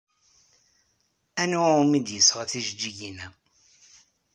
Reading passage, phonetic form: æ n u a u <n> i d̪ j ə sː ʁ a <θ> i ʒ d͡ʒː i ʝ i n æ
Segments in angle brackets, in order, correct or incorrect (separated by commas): incorrect, correct